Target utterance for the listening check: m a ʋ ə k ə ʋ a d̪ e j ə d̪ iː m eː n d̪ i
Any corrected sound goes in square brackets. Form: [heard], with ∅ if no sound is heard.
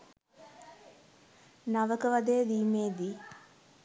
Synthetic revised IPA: [n] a ʋ ə k ə ʋ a d̪ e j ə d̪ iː m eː [∅] d̪ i